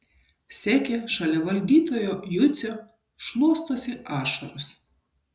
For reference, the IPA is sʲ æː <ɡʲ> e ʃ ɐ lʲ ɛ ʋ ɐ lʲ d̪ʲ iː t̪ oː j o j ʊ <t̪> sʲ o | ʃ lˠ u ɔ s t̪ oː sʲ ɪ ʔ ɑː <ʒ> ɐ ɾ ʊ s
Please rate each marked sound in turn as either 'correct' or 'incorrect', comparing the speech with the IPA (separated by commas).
incorrect, correct, incorrect